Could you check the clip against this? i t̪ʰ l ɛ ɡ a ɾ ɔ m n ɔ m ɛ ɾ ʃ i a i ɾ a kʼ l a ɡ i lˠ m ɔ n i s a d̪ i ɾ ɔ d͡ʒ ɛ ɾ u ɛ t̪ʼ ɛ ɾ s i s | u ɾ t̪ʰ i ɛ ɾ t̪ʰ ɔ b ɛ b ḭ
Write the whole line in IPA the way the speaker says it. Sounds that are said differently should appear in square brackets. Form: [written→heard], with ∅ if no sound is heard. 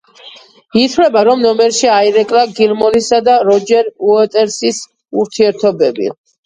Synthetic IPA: i t̪ʰ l ɛ [ɡ→b] a ɾ ɔ m n ɔ m ɛ ɾ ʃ i a i ɾ [a→ɛ] kʼ l a ɡ i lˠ m ɔ n i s a d̪ [i→a] ɾ ɔ d͡ʒ ɛ ɾ u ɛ t̪ʼ ɛ ɾ s i s | u ɾ t̪ʰ i ɛ ɾ t̪ʰ ɔ b ɛ b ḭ